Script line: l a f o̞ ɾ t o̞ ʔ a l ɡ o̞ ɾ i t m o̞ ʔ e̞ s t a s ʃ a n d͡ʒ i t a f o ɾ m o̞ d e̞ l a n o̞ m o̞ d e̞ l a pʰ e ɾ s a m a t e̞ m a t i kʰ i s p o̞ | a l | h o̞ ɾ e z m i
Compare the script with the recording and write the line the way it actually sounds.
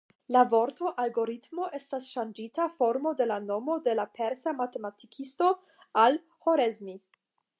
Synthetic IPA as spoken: l a v o̞ ɾ t o̞ ʔ a l ɡ o̞ ɾ i t m o̞ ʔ e̞ s t a s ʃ a n d͡ʒ i t a f o ɾ m o̞ d e̞ l a n o̞ m o̞ d e̞ l a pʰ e ɾ s a m a t e̞ m a t i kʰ i s t o̞ | a l | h o̞ ɾ e z m i